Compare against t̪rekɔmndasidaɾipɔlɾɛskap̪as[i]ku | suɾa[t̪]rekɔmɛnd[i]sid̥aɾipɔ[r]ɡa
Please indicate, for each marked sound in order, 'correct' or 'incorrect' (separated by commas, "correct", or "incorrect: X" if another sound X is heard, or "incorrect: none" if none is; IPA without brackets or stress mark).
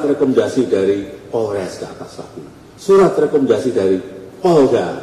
incorrect: a, correct, incorrect: a, incorrect: l